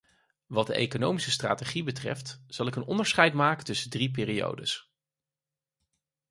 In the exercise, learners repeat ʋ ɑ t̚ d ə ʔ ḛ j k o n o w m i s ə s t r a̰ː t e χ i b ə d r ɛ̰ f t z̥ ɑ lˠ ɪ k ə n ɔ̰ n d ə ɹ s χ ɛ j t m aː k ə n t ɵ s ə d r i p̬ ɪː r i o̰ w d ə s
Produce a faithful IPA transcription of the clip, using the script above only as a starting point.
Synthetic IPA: ʋ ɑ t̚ d ə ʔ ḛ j k o n o w m i s ə s t r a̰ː t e χ i b ə t r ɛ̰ f t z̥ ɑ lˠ ɪ k ə n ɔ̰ n d ə ɹ s χ ɛ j t m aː k ə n t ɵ s ə d r i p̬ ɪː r i o̰ w d ə s